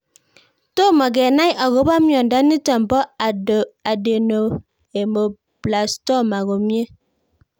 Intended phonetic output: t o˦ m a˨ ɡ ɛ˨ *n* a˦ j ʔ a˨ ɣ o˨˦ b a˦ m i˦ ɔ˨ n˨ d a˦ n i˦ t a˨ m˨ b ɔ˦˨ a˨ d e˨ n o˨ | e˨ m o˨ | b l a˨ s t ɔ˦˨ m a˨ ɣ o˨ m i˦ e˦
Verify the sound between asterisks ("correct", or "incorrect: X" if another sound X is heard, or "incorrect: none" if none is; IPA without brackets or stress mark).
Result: correct